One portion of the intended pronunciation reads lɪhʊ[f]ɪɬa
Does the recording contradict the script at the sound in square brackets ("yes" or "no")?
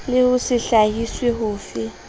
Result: yes